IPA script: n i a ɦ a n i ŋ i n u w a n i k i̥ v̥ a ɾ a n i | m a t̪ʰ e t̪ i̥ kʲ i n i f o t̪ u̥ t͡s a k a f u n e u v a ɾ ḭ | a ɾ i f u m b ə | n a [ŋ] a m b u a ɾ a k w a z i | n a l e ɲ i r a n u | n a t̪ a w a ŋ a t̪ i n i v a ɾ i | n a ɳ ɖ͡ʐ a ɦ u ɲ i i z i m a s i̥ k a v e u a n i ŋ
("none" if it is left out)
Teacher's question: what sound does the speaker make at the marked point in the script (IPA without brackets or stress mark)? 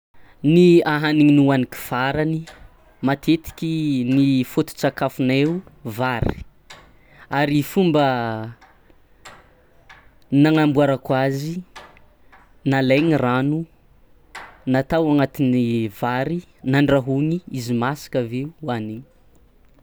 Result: ŋ